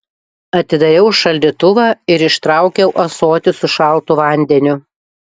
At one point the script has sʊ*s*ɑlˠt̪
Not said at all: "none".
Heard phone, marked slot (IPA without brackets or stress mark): ʃ